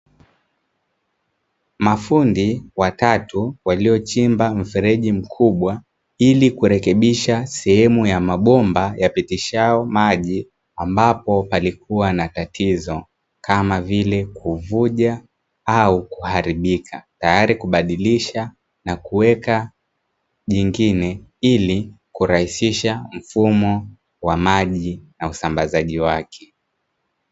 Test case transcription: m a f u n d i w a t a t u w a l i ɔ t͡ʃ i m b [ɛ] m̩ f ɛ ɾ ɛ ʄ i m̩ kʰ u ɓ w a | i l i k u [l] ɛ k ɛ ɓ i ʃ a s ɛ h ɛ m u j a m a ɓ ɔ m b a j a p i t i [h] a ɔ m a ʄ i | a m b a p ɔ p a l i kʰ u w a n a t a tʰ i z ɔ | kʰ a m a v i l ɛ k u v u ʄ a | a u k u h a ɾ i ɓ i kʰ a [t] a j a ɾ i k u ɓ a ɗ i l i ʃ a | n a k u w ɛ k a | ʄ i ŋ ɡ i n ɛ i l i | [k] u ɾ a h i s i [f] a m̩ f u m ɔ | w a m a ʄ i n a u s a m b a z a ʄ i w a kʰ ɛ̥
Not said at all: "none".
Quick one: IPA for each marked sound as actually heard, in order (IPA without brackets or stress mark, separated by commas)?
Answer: a, ɾ, ʃ, t, k, ʃ